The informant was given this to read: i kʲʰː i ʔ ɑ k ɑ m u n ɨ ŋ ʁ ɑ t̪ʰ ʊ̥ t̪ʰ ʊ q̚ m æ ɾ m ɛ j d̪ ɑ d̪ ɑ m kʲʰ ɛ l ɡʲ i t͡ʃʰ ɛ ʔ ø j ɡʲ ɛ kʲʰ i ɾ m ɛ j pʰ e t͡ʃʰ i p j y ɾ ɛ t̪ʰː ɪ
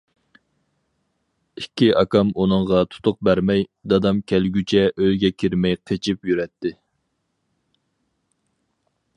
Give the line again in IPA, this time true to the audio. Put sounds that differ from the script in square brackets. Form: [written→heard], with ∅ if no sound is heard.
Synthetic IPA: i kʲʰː i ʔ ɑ k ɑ m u n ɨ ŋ ʁ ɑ t̪ʰ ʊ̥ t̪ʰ ʊ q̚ [m→b] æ ɾ m ɛ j d̪ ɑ d̪ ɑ m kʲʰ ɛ l ɡʲ [i→y] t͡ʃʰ ɛ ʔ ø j ɡʲ ɛ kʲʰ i ɾ m ɛ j [pʰ→qʰ] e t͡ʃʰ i p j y ɾ ɛ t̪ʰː ɪ

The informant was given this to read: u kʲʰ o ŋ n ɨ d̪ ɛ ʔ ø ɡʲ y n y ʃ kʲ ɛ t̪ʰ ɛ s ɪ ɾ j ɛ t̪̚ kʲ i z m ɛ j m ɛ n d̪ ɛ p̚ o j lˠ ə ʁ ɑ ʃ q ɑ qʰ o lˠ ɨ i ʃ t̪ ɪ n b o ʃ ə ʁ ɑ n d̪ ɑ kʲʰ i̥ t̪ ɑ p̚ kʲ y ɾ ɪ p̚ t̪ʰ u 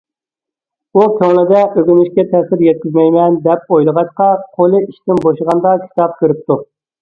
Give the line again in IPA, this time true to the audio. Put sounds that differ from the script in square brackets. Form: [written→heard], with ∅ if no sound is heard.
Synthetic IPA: u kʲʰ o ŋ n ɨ d̪ ɛ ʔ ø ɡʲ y n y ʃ kʲ ɛ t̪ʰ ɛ s ɪ ɾ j ɛ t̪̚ kʲ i z m ɛ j m ɛ n d̪ ɛ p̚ o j lˠ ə ʁ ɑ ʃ q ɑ qʰ o lˠ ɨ i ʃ t̪ ɪ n b o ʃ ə ʁ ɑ n d̪ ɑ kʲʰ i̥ t̪ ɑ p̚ kʲ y ɾ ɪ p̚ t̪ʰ u

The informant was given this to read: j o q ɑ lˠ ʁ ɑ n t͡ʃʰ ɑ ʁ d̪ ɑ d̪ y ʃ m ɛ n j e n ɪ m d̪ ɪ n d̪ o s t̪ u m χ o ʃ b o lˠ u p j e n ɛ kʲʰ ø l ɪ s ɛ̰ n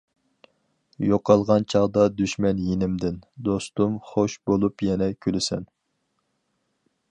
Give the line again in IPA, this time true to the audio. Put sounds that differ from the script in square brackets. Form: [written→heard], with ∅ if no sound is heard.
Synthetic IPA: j o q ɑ lˠ ʁ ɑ n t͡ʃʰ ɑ ʁ d̪ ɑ d̪ y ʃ m ɛ n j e n ɪ m d̪ ɪ n d̪ o s t̪ u m χ o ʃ b o lˠ u p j [e→ɛ] n ɛ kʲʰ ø l ɪ s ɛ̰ n

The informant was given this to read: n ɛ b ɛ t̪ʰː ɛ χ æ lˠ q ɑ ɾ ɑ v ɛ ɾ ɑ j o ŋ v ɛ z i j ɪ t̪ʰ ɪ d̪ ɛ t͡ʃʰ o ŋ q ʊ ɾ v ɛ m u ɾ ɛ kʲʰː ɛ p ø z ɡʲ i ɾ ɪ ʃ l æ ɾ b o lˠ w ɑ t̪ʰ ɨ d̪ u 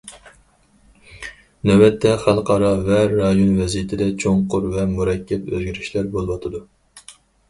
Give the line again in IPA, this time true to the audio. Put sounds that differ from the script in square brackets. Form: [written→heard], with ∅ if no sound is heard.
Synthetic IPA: n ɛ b ɛ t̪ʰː ɛ χ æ lˠ q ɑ ɾ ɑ v ɛ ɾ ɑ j o [ŋ→n] v ɛ z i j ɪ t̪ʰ ɪ d̪ ɛ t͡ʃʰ o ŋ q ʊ ɾ v ɛ m u ɾ ɛ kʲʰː ɛ p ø z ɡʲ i ɾ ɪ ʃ l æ ɾ b o lˠ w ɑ t̪ʰ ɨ d̪ u

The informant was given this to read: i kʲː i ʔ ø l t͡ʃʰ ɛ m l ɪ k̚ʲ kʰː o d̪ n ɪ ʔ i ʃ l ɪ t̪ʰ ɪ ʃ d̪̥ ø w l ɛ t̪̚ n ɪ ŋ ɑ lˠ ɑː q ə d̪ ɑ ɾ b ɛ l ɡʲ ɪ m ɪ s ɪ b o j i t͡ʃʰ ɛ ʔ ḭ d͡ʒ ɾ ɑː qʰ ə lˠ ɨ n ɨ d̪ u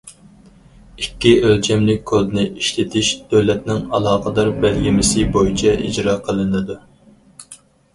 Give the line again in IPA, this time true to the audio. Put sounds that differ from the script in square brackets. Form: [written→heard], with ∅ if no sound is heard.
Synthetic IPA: i kʲː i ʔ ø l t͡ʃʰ ɛ m l ɪ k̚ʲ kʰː o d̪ n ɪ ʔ i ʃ l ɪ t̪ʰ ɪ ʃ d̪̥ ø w l ɛ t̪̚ n ɪ ŋ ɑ lˠ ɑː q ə d̪ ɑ ɾ b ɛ l ɡʲ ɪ m ɪ s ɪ b o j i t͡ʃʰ ɛ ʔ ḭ d͡ʒ ɾ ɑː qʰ ə lˠ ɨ n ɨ d̪ u

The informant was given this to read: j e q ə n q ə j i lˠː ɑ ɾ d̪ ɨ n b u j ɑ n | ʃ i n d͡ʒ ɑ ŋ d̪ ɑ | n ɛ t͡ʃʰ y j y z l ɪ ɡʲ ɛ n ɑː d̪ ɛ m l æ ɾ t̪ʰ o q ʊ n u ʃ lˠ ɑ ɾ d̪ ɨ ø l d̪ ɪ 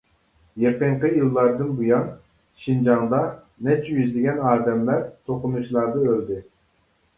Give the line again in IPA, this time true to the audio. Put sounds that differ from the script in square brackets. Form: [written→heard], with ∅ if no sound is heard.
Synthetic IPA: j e q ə [n→ɴ] q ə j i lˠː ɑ ɾ d̪ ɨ n b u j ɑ n | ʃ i n d͡ʒ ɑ ŋ d̪ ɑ | n ɛ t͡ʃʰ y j y z l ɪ ɡʲ ɛ n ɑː d̪ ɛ m l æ ɾ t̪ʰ o q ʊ n u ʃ lˠ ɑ ɾ d̪ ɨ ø l d̪ ɪ

